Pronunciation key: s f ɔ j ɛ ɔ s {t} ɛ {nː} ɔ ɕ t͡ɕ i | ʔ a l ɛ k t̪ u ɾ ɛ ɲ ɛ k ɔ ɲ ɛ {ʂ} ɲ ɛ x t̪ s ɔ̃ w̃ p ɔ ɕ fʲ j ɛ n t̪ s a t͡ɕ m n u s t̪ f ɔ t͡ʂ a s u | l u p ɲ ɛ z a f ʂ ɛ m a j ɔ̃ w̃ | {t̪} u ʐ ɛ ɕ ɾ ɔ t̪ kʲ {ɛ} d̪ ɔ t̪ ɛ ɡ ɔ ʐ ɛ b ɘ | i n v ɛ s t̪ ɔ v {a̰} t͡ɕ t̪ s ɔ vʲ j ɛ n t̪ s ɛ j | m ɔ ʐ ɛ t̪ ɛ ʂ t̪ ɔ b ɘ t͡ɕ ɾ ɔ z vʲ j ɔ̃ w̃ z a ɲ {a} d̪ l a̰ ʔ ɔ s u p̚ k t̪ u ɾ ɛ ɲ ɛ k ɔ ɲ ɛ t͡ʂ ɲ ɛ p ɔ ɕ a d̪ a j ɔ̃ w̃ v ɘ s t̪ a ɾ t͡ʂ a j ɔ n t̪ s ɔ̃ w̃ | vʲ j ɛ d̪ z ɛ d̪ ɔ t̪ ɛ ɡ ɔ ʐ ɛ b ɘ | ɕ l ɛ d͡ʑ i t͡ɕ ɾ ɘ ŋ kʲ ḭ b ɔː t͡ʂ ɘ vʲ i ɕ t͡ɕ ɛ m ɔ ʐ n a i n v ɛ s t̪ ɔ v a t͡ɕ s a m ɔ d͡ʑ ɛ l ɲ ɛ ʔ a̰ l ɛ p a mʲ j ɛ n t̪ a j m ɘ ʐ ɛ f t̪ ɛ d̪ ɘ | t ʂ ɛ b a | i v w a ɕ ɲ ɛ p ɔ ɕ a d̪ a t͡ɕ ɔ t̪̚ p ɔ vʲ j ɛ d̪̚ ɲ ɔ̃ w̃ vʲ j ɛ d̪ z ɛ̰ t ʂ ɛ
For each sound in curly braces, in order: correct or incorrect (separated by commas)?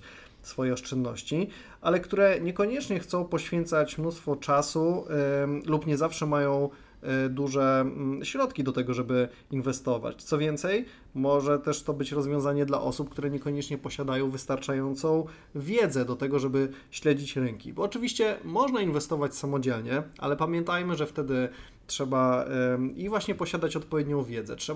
incorrect, correct, incorrect, incorrect, incorrect, correct, incorrect